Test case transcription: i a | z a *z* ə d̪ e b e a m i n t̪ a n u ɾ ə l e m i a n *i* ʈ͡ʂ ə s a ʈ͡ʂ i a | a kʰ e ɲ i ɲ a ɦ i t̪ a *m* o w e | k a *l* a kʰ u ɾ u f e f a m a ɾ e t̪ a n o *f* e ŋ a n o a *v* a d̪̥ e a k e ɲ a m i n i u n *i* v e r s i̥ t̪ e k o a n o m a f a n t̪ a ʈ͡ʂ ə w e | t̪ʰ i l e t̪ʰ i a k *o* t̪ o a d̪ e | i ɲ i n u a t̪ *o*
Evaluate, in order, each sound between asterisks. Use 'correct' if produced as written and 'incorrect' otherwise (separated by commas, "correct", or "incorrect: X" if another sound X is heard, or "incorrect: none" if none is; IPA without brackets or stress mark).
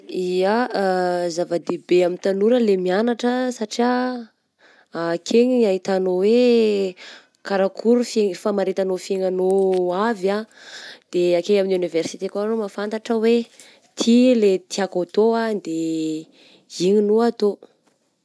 incorrect: v, incorrect: a, incorrect: n, incorrect: ɾ, correct, correct, correct, correct, correct